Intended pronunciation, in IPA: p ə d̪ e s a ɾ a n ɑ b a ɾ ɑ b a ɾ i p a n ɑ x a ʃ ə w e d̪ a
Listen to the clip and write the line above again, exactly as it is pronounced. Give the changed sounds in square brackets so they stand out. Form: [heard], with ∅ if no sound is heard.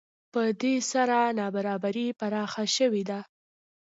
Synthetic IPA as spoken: p ə d̪ e s a ɾ a n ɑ b a ɾ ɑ b a ɾ i p a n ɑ x a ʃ ə w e d̪ a